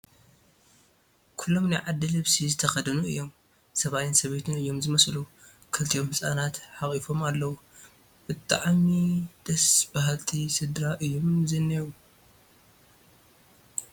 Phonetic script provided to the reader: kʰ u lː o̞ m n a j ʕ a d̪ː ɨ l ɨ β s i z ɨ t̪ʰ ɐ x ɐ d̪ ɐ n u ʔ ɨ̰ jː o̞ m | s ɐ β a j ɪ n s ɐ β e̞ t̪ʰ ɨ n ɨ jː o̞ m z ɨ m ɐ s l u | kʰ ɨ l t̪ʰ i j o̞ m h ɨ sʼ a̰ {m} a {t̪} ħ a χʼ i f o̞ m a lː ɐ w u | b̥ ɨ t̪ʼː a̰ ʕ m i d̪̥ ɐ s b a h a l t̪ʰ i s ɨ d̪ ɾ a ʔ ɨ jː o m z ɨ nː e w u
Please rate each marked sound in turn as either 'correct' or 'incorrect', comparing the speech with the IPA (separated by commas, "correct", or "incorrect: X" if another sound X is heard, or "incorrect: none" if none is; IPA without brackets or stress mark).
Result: incorrect: n, correct